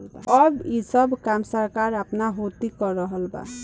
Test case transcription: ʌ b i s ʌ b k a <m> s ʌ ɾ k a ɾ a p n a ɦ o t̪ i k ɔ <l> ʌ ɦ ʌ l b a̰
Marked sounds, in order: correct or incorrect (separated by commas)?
correct, incorrect